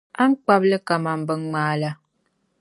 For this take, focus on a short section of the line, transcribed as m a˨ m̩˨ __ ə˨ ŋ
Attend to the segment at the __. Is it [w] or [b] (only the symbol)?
b